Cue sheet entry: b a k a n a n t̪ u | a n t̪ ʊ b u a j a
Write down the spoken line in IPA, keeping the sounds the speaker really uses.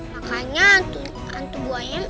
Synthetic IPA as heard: m a k a ɲ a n t̪ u | a n t̪ u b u a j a